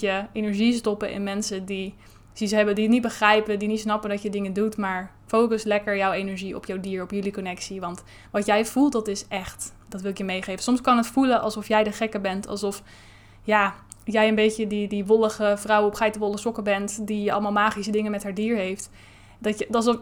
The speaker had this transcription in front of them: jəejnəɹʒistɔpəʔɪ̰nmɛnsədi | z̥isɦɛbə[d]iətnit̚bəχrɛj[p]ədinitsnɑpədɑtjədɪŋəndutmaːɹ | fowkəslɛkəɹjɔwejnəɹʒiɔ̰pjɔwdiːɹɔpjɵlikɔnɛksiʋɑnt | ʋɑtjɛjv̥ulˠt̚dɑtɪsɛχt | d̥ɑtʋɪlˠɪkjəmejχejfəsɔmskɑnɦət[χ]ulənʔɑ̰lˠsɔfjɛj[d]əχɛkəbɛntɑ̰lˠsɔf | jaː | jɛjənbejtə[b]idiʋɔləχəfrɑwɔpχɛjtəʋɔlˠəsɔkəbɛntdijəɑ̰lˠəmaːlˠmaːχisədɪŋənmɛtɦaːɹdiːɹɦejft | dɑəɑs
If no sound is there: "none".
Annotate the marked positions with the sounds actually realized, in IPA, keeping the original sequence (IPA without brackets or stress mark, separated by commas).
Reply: d, p, f, d, d